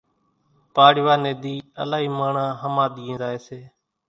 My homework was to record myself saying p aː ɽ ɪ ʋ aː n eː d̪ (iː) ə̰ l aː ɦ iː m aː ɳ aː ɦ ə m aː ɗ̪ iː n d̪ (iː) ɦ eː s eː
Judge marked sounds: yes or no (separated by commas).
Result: yes, no